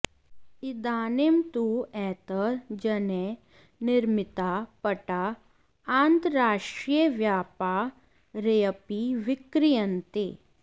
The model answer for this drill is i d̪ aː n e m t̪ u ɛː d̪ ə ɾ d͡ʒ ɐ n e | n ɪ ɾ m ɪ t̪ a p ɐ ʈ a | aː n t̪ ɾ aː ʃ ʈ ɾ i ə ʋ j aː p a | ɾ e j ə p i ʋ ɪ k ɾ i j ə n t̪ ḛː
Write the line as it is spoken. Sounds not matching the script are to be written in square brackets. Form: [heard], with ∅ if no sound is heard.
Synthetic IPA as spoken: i d̪ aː n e m t̪ u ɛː [t̪] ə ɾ d͡ʒ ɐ n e | n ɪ ɾ m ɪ t̪ a p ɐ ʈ a | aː n t̪ ɾ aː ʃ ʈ ɾ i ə ʋ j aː p a | ɾ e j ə p i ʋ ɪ k ɾ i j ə n t̪ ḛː